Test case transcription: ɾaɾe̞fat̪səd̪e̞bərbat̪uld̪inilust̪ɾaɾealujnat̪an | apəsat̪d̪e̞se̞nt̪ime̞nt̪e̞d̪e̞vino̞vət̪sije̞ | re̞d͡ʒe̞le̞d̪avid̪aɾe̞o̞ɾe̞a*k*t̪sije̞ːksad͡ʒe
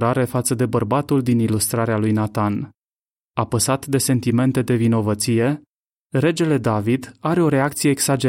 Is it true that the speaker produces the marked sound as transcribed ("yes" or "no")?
yes